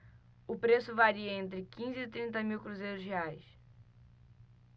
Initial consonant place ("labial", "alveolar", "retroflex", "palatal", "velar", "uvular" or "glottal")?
labial